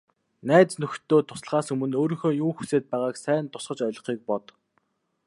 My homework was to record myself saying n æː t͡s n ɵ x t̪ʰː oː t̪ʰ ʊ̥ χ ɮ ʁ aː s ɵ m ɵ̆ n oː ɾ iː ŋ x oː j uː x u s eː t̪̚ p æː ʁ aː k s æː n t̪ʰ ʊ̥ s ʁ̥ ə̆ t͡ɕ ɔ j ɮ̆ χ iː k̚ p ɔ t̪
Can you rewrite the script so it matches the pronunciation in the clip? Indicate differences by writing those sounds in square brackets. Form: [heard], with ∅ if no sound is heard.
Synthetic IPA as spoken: n æː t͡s n ɵ x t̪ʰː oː t̪ʰ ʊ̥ [s] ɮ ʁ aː s ɵ m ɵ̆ n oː ɾ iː ŋ x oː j uː x u s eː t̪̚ p æː ʁ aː k s æː n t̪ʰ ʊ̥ s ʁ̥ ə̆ t͡ɕ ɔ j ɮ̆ χ iː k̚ p ɔ t̪